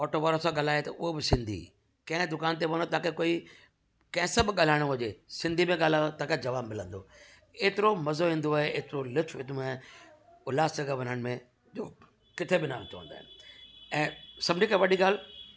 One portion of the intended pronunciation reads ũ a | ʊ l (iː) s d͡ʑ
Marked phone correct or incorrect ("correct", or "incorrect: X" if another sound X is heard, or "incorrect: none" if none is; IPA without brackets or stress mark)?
incorrect: aː